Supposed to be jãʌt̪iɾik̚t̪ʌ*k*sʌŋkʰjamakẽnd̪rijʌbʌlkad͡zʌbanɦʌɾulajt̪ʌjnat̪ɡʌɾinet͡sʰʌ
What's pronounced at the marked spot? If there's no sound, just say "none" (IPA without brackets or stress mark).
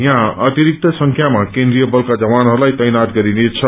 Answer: none